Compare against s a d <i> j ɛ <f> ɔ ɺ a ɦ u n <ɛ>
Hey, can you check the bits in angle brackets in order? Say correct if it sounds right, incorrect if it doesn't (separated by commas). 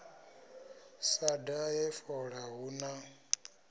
incorrect, correct, incorrect